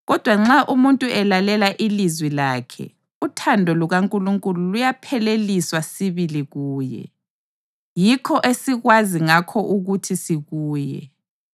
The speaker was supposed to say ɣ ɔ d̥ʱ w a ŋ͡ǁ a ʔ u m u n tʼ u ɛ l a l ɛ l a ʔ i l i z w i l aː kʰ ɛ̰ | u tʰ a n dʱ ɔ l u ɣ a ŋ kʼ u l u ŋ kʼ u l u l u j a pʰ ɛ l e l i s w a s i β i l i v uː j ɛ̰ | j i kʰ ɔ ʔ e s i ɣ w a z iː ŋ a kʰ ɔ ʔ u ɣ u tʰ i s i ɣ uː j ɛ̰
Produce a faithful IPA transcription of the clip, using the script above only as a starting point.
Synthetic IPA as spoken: ɣ ɔ d̥ʱ w a ŋ͡ǁ a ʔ u m u n tʼ u ɛ l a l ɛ l a ʔ i l i z w i l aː kʰ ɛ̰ | u tʰ a n dʱ ɔ l u ɣ a ŋ kʼ u l u ŋ kʼ u l u l u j a pʰ ɛ l e l i s w a s i β i l i ɣ uː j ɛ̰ | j i kʰ ɔ ʔ e s i ɣ w a z i ŋ a kʰ ɔ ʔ u ɣ u tʰ i s i ɣ uː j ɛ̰